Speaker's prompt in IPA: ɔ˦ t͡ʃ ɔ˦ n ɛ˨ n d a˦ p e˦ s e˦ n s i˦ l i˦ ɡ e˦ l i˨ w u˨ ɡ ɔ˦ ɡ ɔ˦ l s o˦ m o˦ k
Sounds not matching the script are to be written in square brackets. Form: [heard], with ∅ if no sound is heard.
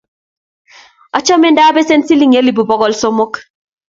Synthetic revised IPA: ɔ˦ t͡ʃ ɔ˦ [m] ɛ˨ n d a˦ [b] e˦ s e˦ n s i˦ l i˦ [ŋ] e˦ l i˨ [b] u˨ [b] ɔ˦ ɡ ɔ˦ l s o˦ m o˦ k